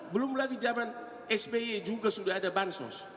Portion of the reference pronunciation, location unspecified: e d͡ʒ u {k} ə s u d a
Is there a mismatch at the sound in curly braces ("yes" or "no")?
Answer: yes